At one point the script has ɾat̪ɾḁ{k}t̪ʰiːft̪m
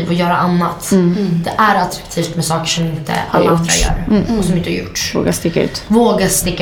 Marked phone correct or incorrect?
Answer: correct